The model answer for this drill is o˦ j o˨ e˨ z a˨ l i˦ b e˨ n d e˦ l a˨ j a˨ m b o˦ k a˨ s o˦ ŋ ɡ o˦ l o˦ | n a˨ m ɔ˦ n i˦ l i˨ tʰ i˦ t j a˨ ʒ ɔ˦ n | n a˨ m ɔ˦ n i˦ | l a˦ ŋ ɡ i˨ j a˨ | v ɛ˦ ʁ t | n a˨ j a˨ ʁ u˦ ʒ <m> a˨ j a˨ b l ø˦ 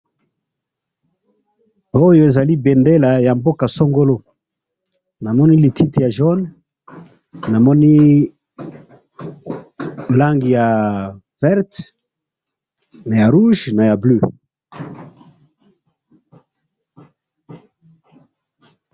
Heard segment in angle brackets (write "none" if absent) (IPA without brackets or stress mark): n